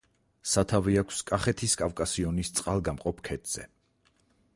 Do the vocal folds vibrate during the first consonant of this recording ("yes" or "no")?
no